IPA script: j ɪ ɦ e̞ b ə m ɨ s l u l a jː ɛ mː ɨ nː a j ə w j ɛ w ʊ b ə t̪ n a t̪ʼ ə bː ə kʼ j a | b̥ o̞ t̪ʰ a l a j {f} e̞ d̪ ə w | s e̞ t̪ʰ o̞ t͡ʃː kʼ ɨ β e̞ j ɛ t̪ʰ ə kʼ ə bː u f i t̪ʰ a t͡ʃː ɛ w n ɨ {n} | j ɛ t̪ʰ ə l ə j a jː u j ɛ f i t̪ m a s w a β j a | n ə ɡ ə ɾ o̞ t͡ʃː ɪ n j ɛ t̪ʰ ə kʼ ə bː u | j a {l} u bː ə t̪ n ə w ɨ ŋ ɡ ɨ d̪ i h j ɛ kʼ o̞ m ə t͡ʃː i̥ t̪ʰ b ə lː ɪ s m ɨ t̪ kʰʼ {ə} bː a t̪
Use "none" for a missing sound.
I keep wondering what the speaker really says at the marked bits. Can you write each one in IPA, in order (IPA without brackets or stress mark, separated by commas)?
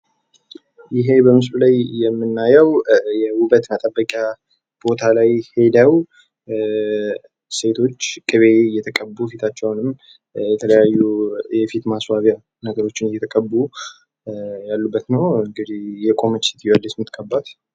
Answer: h, m, lː, ə